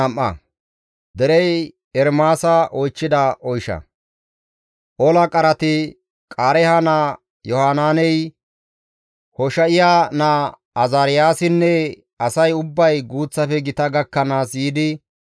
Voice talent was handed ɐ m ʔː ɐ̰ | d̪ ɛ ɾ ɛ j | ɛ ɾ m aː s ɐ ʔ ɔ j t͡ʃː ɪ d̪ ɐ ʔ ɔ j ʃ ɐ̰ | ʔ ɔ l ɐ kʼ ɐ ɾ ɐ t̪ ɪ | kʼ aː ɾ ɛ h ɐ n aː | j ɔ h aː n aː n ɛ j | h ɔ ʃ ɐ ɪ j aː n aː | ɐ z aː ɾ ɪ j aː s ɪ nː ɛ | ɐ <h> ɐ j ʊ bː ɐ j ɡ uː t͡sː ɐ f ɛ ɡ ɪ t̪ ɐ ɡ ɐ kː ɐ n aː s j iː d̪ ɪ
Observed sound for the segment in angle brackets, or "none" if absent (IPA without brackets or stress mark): s